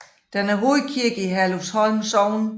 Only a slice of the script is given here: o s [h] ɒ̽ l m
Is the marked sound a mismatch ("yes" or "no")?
no